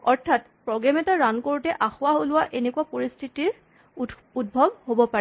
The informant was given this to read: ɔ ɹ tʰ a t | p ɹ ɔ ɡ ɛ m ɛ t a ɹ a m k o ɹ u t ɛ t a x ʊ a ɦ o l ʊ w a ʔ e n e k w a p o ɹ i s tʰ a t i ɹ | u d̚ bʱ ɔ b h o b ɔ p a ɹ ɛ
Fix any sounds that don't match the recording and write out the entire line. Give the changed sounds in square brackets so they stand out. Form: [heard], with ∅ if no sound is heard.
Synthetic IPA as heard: ɔ ɹ tʰ a t | p ɹ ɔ ɡ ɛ m ɛ t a ɹ a [n] k o ɹ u t ɛ [ʔ] a x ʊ a ɦ o l ʊ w a ʔ e n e k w a p o ɹ i s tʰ [i] t i ɹ | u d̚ bʱ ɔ b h o b ɔ p a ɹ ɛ